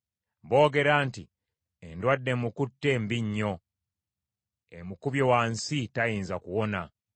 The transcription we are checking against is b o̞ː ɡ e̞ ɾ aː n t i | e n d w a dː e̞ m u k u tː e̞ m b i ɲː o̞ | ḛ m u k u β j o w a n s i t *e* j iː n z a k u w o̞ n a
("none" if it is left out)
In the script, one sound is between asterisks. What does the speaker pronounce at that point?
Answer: a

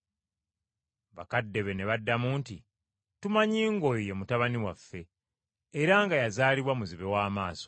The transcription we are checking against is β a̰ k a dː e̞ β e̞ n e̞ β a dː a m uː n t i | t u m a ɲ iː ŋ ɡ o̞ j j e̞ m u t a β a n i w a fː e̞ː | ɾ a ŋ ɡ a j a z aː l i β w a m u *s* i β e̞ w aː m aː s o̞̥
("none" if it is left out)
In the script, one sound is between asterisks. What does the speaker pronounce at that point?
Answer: z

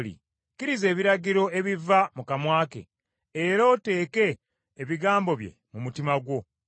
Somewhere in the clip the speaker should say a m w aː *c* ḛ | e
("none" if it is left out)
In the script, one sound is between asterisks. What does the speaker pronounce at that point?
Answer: k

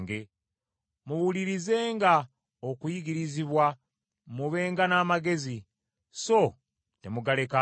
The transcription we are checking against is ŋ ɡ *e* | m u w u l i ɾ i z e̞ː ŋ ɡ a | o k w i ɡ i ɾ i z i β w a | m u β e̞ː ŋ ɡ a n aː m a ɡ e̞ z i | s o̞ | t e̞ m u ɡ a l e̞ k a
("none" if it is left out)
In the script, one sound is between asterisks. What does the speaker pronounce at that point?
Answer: e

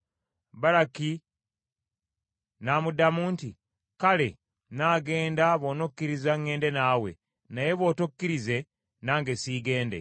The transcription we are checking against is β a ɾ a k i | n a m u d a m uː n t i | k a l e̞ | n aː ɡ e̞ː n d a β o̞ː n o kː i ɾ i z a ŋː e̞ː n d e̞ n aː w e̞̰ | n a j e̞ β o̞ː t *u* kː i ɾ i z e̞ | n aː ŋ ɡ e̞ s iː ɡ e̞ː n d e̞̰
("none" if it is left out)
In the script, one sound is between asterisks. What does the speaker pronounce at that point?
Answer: o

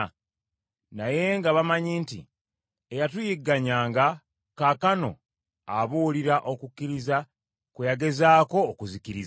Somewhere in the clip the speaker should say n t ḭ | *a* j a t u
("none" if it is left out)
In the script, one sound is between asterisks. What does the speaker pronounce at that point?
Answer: e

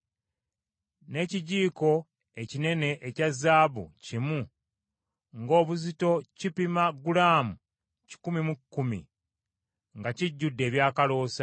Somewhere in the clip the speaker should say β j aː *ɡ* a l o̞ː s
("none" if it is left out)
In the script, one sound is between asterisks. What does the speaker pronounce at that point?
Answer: k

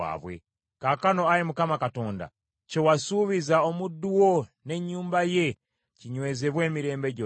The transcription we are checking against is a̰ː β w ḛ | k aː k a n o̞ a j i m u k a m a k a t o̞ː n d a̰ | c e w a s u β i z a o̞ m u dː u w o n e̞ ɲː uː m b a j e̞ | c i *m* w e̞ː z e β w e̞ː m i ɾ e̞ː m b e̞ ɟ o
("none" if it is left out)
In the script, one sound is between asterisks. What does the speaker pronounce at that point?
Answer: ɲ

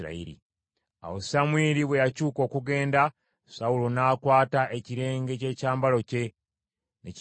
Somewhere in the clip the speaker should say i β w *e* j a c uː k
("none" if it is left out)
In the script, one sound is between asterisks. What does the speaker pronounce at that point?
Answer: e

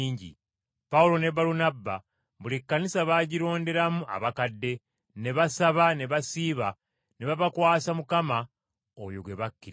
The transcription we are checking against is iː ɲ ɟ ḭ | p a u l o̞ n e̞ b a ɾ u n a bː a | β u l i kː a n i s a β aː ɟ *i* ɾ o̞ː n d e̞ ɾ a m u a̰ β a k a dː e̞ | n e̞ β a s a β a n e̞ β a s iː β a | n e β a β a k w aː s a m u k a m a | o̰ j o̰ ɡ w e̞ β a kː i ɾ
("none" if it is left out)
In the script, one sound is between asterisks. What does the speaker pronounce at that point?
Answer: i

